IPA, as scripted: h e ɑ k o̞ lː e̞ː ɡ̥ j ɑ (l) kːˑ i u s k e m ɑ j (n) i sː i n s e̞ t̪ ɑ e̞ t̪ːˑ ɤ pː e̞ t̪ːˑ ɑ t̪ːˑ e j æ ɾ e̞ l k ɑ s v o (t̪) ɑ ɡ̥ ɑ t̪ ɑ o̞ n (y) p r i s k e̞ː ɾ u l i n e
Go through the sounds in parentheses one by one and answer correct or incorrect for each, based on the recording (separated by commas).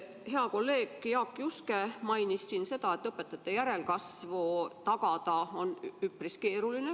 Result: incorrect, correct, correct, correct